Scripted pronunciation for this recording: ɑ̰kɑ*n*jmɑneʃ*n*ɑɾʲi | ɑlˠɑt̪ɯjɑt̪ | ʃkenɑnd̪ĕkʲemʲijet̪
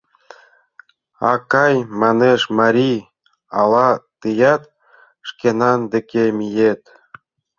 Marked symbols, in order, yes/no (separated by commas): no, no